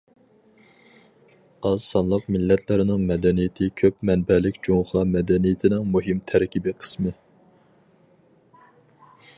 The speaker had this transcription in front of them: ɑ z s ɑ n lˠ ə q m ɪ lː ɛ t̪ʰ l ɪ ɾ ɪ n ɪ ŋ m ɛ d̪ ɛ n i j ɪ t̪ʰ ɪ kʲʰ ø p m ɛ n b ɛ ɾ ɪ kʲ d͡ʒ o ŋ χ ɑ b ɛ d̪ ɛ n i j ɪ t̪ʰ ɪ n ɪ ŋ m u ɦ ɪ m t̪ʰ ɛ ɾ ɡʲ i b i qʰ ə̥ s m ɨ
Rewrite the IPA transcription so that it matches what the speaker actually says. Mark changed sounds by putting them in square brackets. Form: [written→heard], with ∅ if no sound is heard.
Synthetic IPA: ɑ z s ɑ n lˠ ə q m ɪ lː ɛ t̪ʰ l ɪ ɾ ɪ n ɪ ŋ m ɛ d̪ ɛ n i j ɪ t̪ʰ ɪ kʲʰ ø p m ɛ n b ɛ [ɾ→l] ɪ kʲ d͡ʒ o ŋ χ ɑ [b→m] ɛ d̪ ɛ n i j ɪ t̪ʰ ɪ n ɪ ŋ m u ɦ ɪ m t̪ʰ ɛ ɾ [ɡʲ→kʲ] i b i qʰ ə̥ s m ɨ